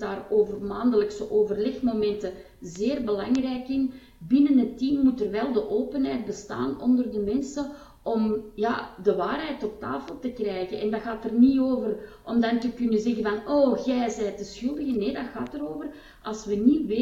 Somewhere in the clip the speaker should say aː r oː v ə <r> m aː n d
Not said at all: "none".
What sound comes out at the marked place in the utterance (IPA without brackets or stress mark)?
r